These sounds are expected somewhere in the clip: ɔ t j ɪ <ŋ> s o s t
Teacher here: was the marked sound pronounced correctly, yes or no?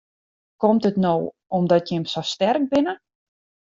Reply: no